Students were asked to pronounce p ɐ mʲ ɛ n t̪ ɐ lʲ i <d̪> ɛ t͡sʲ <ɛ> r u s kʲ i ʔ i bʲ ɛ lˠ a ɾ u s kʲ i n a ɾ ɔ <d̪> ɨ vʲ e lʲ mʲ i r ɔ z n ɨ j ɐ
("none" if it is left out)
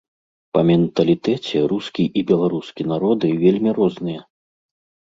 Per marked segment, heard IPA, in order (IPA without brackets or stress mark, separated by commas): t̪, ɛ, d̪